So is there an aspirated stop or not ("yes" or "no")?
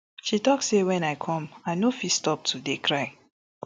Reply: yes